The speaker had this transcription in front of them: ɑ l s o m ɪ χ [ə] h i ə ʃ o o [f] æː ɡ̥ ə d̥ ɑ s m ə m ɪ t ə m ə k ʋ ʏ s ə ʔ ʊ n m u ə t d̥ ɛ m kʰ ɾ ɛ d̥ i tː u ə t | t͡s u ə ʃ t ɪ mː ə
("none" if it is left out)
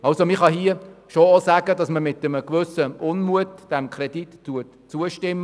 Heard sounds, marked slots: ɑ, s

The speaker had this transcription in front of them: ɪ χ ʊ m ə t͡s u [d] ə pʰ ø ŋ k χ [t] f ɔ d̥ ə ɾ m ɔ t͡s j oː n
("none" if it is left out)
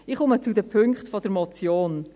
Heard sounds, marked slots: d, t

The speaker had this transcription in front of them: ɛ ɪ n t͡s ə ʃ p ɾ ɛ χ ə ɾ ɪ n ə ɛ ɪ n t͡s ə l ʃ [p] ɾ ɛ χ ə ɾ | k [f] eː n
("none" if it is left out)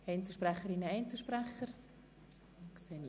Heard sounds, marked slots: p, s

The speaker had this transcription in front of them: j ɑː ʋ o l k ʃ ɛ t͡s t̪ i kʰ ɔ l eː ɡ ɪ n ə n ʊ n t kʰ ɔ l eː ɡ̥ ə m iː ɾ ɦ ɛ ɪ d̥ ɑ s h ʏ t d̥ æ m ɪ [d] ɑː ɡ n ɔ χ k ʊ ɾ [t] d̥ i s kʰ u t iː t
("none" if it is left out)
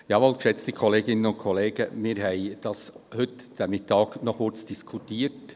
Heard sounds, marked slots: t, t͡s

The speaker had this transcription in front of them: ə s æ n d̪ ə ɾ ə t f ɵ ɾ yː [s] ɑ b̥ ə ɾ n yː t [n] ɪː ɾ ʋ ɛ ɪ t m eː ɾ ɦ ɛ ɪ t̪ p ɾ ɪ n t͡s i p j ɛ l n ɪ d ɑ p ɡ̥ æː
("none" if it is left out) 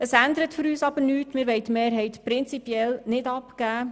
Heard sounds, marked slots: s, m

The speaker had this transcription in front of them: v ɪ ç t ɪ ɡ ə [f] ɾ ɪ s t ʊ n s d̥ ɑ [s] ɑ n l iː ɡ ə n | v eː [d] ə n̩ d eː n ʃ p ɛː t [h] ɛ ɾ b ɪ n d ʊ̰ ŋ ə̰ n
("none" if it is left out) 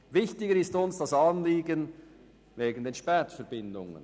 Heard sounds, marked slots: none, s, ɡ, f

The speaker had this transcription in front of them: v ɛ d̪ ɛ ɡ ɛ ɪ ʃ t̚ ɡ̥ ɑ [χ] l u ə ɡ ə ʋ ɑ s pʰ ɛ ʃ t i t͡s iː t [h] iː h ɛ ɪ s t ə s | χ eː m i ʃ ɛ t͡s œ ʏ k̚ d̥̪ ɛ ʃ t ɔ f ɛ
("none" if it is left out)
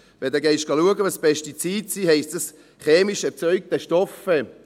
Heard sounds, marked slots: none, s

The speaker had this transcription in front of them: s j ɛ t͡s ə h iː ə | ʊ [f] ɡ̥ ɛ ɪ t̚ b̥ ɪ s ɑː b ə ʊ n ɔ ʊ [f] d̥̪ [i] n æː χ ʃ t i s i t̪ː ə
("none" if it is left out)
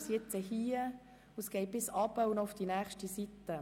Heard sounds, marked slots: s, f, i

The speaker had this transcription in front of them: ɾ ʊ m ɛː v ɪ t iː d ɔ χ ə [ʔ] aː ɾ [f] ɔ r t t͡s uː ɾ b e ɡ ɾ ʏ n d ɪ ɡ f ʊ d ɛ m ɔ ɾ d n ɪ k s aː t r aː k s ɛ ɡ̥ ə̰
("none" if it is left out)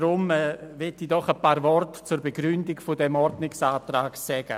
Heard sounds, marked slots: p, v

